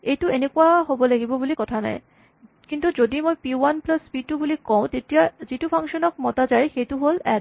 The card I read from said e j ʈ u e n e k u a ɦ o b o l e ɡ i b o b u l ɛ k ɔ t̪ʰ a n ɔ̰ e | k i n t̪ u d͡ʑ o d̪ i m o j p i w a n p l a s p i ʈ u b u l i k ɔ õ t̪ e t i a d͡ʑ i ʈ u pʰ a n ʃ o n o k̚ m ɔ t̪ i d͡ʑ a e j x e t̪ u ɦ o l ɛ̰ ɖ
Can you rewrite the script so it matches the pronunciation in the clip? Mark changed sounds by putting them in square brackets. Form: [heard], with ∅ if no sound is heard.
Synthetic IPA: e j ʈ u e n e k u a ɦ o b o l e ɡ i b o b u l [i] k ɔ t̪ʰ a n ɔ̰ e | k i n t̪ u d͡ʑ o d̪ i m o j p i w a n p l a s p i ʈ u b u l i k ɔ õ t̪ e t i a d͡ʑ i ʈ u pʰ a [ŋ] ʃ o n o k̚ m ɔ t̪ [a] d͡ʑ a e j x e t̪ u ɦ o l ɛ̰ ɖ

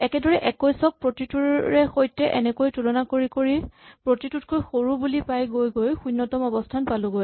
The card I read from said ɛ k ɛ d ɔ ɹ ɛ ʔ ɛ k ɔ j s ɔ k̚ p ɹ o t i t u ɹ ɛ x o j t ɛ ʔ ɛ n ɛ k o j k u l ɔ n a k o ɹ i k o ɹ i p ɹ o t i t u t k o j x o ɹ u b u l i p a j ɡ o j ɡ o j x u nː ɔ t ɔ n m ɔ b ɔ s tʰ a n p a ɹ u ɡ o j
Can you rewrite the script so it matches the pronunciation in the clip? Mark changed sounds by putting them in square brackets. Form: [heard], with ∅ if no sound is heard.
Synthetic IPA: ɛ k ɛ d ɔ ɹ ɛ ʔ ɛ k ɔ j s ɔ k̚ p ɹ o t i t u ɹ ɛ x o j t ɛ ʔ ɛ n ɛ k o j [t] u l ɔ n a k o ɹ i k o ɹ i p ɹ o t i t u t k o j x o ɹ u b u l i p a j ɡ o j ɡ o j x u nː ɔ t ɔ [∅] m ɔ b ɔ s tʰ a n p a [l] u ɡ o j

